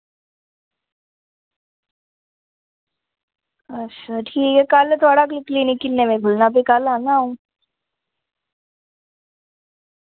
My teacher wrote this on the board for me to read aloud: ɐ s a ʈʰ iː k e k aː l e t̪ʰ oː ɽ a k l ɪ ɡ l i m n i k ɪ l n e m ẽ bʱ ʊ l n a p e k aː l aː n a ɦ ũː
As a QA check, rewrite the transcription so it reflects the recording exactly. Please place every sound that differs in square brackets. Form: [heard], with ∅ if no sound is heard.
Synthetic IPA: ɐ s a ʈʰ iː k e k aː l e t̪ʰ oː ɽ a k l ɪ [k] l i [∅] n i k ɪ l n e m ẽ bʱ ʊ l n a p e k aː l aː n a ɦ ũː